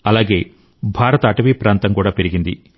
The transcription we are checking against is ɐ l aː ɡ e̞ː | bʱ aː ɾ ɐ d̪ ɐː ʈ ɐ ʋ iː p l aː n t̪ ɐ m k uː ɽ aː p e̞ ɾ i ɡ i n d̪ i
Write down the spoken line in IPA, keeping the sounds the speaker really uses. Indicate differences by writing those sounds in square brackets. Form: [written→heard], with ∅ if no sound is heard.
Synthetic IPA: ɐ l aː ɡ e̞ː | bʱ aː ɾ ɐ [d̪→t̪] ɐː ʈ ɐ ʋ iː p [l→ɾ] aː n t̪ ɐ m k uː ɽ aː p e̞ ɾ i ɡ i n d̪ i